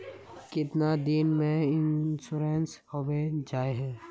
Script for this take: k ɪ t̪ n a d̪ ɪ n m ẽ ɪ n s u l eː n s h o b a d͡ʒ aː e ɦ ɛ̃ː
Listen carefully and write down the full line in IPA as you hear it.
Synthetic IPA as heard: k ɪ t̪ n a d̪ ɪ n m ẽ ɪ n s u ɾ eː n s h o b e d͡ʒ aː e ɦ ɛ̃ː